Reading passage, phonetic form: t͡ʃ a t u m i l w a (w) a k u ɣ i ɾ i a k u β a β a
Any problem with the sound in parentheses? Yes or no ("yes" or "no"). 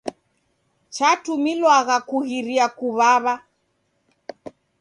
yes